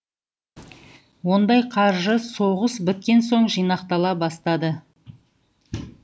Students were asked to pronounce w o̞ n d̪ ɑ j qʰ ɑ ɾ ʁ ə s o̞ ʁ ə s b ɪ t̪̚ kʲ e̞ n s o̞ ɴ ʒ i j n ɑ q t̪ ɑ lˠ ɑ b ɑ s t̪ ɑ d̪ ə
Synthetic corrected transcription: w o̞ n d̪ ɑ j qʰ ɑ ɾ ʒ ə s o̞ ʁ ə s b ɪ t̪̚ kʲ e̞ n s o̞ ɴ ʒ i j n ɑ q t̪ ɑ lˠ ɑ b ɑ s t̪ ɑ d̪ ə